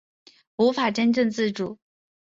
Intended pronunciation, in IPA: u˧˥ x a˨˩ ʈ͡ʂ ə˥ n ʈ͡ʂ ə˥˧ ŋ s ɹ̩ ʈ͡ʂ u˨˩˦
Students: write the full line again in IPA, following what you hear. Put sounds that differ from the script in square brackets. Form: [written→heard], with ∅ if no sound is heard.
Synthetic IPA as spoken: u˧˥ [x→f] a˨˩ ʈ͡ʂ ə˥ n ʈ͡ʂ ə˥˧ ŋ [s→t͡s] ɹ̩ ʈ͡ʂ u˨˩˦